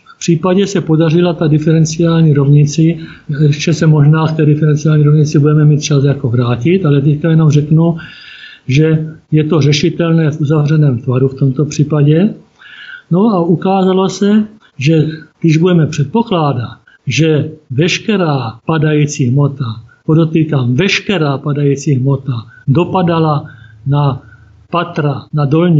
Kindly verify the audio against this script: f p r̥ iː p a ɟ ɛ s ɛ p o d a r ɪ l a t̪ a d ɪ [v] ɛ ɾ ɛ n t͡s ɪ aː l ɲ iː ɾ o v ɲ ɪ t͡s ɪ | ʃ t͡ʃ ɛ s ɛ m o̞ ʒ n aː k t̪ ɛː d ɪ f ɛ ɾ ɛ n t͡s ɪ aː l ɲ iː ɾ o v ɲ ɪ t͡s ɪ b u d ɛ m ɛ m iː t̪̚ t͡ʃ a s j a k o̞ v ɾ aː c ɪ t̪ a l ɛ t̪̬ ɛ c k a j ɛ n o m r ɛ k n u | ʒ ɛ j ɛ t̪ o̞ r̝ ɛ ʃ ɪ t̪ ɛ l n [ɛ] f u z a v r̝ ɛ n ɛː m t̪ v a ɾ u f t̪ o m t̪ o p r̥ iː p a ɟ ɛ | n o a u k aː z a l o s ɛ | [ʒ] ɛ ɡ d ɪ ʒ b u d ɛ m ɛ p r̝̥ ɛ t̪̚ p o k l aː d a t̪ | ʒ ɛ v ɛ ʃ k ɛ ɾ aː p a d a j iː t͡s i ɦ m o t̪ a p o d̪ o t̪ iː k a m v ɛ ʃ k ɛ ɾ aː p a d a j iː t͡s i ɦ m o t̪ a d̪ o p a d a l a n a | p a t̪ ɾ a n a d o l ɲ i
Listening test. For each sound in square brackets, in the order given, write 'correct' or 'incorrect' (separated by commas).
incorrect, incorrect, correct